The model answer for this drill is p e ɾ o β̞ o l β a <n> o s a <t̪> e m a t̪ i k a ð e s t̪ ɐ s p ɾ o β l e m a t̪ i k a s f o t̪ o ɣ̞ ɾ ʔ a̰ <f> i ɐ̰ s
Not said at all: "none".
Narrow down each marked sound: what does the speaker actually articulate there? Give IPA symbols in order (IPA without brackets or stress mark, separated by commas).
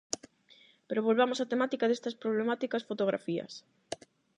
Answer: m, t̪, f